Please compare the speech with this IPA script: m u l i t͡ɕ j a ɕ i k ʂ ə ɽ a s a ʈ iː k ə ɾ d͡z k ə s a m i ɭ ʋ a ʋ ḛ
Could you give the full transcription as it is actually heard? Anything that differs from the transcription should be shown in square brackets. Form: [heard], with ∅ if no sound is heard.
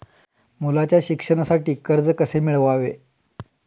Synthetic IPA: m u l [a] t͡ɕ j a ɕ i k ʂ ə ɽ a s a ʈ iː k ə ɾ d͡z k ə s [e] m i ɭ ʋ a ʋ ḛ